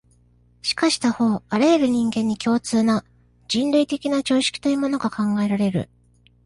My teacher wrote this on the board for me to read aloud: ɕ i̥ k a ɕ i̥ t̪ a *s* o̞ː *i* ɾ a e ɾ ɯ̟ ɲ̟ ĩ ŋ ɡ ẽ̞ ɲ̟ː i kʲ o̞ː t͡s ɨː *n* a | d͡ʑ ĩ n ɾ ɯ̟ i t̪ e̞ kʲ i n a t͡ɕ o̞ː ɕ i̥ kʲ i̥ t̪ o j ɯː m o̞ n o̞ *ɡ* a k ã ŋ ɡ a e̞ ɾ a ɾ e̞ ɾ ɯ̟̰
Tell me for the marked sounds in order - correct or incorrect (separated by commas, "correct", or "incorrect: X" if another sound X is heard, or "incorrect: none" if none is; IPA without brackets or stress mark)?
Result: incorrect: h, incorrect: a, correct, correct